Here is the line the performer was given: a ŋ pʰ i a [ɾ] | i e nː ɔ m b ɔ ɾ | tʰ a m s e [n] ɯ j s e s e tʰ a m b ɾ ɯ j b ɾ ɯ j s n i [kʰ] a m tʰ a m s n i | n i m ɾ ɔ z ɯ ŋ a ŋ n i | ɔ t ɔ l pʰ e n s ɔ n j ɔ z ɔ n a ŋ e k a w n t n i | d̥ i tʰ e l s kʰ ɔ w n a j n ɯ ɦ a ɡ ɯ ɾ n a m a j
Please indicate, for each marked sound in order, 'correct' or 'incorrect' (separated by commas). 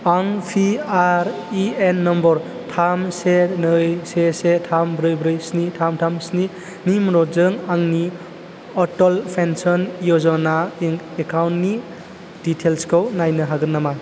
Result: correct, correct, incorrect